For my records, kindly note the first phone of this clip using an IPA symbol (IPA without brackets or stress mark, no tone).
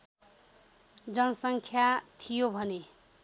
d͡z